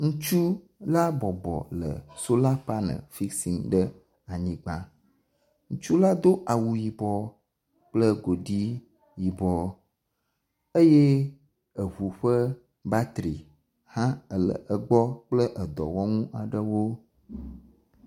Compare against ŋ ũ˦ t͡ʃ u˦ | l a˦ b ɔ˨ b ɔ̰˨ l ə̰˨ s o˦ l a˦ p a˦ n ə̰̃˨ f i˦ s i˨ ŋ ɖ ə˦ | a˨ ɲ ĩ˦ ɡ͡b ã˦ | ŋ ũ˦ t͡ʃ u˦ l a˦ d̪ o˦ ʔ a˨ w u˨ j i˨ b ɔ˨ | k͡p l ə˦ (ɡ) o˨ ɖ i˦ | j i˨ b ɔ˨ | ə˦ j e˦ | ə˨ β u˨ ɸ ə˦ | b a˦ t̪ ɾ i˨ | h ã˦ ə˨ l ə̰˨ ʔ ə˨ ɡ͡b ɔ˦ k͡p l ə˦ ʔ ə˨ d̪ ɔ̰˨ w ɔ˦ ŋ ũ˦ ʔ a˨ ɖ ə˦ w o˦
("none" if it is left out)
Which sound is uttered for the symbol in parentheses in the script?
ɡ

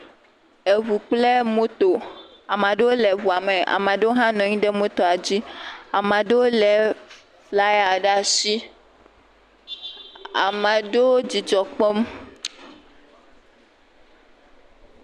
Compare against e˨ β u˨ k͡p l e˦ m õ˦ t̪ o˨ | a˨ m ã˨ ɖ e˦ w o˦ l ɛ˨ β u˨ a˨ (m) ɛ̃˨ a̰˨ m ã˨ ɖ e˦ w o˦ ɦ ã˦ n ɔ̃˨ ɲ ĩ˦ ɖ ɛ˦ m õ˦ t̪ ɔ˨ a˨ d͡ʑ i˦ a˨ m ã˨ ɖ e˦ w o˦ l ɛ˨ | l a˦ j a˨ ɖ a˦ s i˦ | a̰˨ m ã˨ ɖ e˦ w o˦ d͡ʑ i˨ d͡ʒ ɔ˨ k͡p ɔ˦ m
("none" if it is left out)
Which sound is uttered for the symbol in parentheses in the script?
m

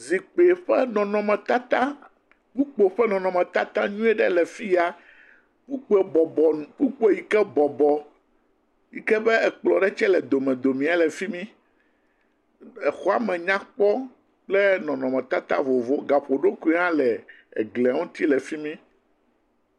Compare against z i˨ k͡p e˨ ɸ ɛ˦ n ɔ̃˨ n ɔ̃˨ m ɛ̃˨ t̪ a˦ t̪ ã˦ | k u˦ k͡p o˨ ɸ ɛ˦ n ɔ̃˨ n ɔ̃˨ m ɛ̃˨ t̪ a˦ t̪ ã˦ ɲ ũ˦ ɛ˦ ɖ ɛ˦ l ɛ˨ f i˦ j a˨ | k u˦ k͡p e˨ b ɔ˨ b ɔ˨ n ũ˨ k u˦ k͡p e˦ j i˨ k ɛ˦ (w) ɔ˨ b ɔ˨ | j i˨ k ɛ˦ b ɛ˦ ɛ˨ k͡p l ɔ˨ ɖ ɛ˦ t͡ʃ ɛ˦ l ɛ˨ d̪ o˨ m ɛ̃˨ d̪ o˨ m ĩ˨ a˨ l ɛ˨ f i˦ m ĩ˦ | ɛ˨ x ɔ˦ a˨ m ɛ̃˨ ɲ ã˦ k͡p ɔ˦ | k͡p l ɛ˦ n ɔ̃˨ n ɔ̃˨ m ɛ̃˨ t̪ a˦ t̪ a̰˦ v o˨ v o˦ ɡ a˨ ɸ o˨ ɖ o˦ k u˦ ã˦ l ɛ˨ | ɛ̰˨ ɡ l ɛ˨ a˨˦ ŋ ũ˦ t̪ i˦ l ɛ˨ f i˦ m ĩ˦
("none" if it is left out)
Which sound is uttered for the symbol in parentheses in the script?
b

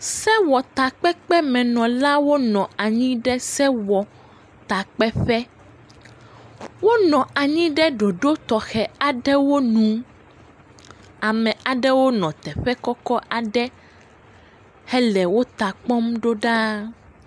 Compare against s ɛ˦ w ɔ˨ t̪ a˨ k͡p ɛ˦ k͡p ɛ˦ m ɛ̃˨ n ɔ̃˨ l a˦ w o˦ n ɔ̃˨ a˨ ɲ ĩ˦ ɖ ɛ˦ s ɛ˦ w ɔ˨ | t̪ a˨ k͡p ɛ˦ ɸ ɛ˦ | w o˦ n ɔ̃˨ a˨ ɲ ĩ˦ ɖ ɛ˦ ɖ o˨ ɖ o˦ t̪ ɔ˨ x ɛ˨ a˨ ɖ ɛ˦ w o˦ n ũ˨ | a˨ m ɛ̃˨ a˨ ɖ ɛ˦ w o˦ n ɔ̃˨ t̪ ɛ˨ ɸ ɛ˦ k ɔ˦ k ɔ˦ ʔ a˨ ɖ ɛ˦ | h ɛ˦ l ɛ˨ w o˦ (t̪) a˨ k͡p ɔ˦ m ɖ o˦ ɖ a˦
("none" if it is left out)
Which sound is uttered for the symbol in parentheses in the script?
t̪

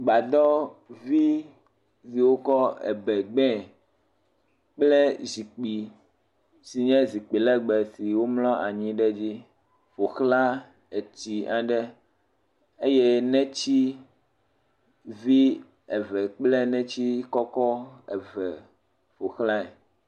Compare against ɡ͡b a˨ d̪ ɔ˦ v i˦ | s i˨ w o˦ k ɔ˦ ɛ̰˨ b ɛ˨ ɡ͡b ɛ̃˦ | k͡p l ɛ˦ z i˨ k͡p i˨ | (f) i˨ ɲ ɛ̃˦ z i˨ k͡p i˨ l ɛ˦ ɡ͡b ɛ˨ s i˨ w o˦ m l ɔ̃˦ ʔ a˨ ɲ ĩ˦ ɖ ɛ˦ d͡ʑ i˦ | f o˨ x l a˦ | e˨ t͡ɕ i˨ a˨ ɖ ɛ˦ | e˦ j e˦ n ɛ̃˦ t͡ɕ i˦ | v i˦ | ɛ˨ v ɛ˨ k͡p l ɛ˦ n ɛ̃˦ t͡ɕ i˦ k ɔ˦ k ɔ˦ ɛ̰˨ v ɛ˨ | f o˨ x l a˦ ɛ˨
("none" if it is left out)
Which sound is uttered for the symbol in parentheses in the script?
s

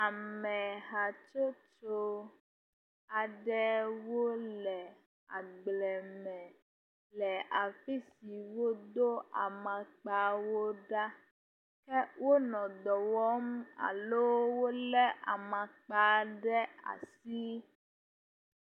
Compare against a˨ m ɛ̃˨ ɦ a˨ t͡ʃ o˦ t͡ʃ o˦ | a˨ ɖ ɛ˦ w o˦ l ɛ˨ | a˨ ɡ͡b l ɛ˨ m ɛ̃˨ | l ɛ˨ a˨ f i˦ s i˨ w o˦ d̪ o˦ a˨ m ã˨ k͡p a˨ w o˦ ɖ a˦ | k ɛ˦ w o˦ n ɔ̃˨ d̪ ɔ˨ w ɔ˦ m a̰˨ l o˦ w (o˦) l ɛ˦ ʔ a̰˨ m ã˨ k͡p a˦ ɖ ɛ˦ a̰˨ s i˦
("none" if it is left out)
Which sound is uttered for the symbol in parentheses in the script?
o˦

